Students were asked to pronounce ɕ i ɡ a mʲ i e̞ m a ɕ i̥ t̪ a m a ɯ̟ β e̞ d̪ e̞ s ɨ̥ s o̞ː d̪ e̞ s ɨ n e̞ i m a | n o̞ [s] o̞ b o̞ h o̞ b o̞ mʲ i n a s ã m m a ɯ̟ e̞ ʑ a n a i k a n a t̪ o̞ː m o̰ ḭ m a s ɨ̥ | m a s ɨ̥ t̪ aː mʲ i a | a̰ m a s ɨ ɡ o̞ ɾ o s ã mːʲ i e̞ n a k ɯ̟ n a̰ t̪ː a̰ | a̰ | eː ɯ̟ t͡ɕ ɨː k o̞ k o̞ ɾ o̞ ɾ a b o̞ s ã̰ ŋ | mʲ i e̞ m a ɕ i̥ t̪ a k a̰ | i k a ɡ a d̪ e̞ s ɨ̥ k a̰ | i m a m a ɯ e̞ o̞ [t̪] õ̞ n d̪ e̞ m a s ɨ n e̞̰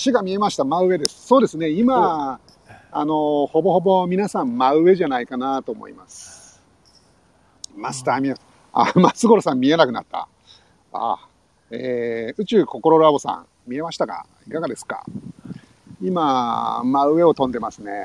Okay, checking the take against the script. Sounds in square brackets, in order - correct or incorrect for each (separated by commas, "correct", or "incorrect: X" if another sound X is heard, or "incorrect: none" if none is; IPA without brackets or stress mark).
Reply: incorrect: h, correct